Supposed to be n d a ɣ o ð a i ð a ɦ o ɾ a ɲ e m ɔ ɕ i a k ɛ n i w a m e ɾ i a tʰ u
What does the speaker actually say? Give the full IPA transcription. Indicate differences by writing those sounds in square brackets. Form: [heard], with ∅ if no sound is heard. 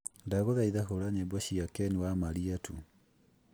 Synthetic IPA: n d a ɣ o ð a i ð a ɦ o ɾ a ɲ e [b] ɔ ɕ i a k ɛ n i w a m [a] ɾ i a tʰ u